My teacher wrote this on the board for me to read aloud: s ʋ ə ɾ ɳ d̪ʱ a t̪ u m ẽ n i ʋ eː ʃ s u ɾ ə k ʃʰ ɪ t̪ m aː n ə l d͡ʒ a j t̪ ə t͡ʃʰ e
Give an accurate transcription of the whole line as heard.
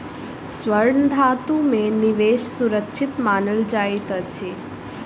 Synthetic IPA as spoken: s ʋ ə ɾ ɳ d̪ʱ a t̪ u m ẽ n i ʋ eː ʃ s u ɾ ə k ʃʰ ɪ t̪ m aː n ə l d͡ʒ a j t̪ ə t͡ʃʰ e